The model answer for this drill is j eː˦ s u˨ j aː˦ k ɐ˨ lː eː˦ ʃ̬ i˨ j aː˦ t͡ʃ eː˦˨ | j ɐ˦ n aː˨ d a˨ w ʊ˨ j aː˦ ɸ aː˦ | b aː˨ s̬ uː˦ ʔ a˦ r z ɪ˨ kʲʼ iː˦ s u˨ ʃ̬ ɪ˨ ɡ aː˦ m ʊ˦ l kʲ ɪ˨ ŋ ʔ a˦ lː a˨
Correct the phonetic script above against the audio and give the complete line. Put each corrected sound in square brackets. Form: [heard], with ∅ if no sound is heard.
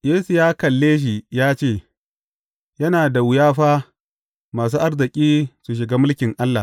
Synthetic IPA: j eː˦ s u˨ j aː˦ k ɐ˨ lː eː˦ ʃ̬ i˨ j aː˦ t͡ʃ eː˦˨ | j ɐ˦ n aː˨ d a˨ w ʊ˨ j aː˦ ɸ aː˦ | [m] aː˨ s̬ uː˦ ʔ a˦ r z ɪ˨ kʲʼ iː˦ s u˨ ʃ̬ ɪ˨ ɡ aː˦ m ʊ˦ l kʲ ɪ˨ ŋ ʔ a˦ lː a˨